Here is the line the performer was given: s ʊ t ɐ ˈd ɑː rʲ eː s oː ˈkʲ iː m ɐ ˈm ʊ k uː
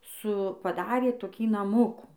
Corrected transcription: s ʊ p ɐ ˈd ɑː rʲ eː t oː ˈkʲ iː n ɐ ˈm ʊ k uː